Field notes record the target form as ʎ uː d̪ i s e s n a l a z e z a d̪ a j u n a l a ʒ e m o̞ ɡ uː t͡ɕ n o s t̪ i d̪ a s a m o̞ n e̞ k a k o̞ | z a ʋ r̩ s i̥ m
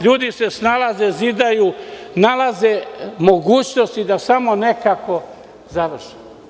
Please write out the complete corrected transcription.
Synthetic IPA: ʎ uː d̪ i s e s n a l a z e z i d̪ a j u n a l a z e m o̞ ɡ uː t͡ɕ n o s t̪ i d̪ a s a m o̞ n e̞ k a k o̞ | z a ʋ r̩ ʃ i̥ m